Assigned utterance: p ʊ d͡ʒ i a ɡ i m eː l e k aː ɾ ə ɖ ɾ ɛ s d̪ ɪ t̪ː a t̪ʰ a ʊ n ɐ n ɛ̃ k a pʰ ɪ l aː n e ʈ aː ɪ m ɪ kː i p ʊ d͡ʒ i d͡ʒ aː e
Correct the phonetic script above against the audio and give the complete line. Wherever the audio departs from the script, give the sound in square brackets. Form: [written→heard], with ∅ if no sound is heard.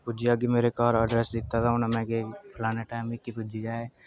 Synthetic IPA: p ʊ d͡ʒ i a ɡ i m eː [l→ɾ] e k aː ɾ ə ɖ ɾ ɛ s d̪ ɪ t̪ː a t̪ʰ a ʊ n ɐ [n→m] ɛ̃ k [a→e] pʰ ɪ l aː n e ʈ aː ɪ m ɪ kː i p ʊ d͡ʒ i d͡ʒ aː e